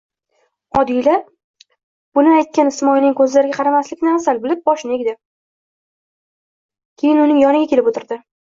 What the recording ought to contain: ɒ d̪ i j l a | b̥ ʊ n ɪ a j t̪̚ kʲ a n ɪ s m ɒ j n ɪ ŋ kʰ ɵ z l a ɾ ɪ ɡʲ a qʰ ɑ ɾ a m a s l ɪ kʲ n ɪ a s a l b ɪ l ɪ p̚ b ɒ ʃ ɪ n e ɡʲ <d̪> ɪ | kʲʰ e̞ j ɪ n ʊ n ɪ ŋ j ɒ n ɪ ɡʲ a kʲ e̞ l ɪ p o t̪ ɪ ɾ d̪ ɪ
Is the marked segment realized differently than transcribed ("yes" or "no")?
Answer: no